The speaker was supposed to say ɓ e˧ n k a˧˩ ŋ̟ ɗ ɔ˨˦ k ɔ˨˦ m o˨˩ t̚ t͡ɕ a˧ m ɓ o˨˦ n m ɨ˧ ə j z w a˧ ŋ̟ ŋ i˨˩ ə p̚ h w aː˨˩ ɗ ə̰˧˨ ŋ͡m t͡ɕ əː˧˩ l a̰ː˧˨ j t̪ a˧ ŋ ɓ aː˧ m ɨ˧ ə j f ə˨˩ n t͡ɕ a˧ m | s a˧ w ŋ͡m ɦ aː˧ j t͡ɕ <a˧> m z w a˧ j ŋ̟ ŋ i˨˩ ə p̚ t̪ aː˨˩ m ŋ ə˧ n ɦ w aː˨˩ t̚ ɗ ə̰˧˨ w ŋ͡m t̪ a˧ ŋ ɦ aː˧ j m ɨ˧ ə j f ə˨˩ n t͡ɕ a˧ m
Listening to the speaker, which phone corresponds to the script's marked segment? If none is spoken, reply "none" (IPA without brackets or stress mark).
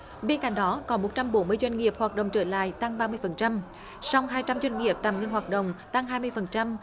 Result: a˧